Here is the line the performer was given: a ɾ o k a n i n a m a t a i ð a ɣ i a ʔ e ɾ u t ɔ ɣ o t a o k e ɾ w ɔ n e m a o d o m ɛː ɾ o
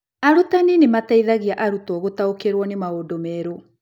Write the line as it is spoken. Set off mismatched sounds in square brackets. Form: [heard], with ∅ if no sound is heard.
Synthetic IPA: a ɾ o [t] a n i n [e] m a t a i ð a ɣ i a ʔ [a] ɾ u t ɔ ɣ o t a o k e ɾ w ɔ n e m a o d o m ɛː ɾ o